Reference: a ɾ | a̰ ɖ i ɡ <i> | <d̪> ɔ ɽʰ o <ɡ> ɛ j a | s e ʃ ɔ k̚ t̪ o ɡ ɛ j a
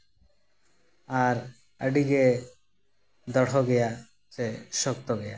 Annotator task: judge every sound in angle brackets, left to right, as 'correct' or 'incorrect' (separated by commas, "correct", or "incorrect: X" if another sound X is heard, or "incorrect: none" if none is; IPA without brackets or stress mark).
incorrect: e, correct, correct